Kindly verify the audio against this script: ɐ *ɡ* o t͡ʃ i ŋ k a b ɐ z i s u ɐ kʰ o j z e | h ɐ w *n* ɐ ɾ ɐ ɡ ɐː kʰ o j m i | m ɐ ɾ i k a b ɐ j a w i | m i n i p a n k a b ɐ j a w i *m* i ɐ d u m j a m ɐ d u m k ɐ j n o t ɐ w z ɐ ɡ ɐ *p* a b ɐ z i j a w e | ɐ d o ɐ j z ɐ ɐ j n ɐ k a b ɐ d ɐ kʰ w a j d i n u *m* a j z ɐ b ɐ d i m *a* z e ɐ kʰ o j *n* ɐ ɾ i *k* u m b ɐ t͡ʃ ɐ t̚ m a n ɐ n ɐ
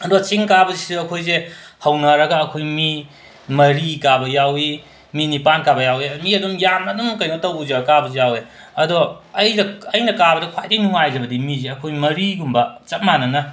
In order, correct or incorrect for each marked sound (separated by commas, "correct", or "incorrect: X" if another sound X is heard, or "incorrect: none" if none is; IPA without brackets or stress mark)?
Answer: incorrect: d, correct, correct, incorrect: k, incorrect: ŋ, incorrect: i, incorrect: m, incorrect: ɡ